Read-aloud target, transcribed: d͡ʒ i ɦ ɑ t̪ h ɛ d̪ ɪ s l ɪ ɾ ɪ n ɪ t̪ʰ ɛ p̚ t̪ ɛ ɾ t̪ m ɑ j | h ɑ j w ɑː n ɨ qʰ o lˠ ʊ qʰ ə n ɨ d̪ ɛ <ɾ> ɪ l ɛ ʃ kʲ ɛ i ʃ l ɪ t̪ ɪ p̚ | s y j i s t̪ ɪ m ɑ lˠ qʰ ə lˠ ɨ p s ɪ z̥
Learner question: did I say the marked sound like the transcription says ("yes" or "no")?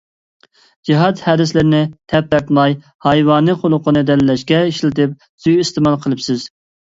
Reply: no